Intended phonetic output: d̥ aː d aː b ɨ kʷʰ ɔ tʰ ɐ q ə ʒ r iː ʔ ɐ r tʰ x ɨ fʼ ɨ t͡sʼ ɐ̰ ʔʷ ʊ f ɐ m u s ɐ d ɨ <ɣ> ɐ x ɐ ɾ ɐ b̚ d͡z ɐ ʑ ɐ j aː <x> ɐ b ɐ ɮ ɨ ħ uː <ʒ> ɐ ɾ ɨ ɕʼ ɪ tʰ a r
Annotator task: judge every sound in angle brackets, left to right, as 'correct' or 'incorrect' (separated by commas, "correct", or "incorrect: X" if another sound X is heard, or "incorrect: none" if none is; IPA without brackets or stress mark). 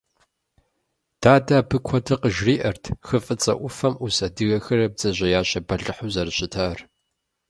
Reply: correct, incorrect: ɕ, incorrect: z